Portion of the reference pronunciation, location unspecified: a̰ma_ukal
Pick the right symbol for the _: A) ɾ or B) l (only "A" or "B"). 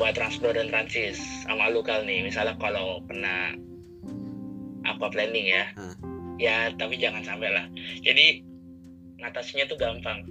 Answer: B